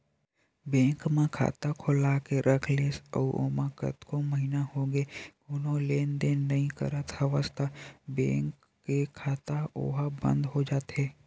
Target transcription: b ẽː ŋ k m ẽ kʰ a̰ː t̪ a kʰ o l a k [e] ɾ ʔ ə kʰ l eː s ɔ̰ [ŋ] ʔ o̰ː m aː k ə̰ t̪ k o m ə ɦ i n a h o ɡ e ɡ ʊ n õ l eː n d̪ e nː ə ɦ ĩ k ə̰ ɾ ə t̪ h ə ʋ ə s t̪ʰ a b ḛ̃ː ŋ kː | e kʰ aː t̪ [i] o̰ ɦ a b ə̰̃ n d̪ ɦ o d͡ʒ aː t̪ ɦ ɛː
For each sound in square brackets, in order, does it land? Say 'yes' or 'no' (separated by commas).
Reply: yes, no, no